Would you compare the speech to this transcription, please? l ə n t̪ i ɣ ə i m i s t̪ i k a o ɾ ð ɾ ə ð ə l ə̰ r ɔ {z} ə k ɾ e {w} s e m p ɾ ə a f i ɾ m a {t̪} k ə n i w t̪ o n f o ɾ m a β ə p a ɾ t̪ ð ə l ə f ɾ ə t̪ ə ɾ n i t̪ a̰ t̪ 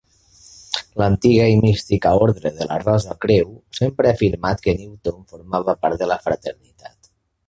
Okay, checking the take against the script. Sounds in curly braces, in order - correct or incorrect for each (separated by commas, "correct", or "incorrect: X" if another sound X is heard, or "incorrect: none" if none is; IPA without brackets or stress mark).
correct, correct, correct